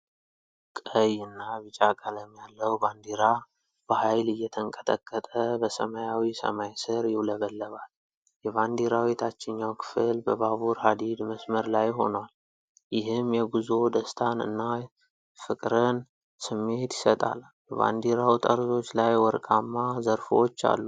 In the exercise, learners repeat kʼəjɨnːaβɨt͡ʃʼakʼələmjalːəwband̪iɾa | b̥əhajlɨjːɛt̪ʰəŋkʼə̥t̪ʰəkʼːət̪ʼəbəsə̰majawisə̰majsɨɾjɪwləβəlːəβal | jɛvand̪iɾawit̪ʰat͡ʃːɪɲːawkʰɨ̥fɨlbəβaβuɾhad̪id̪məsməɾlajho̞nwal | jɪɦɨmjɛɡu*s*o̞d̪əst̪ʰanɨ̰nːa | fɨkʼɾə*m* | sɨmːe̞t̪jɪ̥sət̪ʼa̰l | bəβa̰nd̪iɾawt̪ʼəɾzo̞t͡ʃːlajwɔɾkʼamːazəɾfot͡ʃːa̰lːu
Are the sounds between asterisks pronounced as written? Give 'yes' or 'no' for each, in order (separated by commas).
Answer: no, no